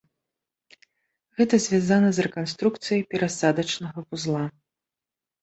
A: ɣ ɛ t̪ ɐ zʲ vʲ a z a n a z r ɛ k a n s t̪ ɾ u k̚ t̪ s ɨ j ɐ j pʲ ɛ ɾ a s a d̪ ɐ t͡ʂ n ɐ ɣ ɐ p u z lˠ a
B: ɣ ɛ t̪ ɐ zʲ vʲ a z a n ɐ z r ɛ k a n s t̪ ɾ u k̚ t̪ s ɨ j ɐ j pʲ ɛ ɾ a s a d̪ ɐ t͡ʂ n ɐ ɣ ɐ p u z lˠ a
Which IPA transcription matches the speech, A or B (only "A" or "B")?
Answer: B